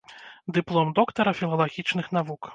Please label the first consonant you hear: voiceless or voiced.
voiced